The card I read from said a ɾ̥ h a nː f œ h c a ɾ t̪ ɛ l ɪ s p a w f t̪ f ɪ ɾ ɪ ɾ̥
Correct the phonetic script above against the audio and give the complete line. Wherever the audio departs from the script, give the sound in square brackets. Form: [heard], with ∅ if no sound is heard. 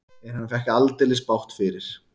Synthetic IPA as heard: [ɛ] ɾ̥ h a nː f [ɛ] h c a [l] t̪ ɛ l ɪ s p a w [h] t̪ f ɪ ɾ ɪ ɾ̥

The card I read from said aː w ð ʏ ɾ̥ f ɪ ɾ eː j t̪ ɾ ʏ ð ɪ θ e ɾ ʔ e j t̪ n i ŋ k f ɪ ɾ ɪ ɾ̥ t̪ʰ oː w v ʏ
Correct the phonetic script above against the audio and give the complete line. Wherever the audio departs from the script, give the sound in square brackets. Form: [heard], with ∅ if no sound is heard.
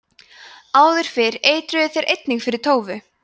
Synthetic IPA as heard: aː w ð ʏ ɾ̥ f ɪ ɾ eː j t̪ ɾ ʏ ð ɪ θ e ɾ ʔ e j t̪ n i ŋ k f ɪ ɾ ɪ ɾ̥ t̪ʰ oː w v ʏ

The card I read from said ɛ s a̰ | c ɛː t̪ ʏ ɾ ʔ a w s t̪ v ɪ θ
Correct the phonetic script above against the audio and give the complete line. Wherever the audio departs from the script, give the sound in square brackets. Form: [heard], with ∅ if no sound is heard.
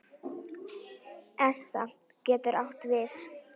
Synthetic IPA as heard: ɛ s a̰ | c ɛː t̪ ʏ ɾ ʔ a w [h] t̪ v ɪ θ

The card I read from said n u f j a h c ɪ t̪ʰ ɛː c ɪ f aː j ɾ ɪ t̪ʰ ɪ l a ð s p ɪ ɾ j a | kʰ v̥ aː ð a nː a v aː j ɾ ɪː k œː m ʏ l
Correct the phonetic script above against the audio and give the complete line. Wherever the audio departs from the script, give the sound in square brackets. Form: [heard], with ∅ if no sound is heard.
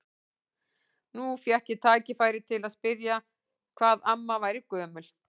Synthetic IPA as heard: n u f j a h c ɪ t̪ʰ [aː] c ɪ f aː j ɾ ɪ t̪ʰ ɪ l a ð s p ɪ ɾ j a | kʰ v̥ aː ð a [mː] a v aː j ɾ [ɪ] k œː m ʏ l

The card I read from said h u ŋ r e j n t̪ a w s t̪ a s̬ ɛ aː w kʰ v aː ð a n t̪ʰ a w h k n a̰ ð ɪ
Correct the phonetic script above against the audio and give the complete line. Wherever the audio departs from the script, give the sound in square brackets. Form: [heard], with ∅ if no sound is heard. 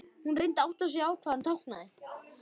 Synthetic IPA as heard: h u [n] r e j n t̪ a w [h] t̪ a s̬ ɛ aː w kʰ v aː ð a n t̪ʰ a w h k n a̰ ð ɪ

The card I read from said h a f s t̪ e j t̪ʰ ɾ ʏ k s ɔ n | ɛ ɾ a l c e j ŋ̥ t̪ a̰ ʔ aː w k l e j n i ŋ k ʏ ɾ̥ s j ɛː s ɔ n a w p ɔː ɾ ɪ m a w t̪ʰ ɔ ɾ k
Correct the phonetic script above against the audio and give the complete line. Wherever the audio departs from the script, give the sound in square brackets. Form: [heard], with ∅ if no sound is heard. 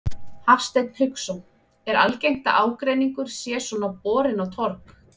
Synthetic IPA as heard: h a f s t̪ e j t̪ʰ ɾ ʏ k s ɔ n | ɛ ɾ a l c e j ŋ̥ t̪ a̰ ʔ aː w k [ɾ] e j n i ŋ k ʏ ɾ̥ s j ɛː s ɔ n a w p ɔː ɾ ɪ [n] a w t̪ʰ ɔ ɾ k

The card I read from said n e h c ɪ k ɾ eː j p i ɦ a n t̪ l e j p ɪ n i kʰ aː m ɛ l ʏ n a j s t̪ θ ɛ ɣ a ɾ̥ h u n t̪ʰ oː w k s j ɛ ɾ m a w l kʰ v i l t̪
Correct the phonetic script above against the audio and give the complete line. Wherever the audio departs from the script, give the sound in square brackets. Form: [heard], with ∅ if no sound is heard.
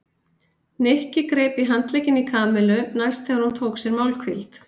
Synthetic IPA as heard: n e h c ɪ k ɾ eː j p i ɦ a n t̪ l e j [c] ɪ n i kʰ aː m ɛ l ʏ n a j s t̪ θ ɛ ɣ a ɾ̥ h u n t̪ʰ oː w k s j ɛ ɾ m a w l kʰ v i l t̪

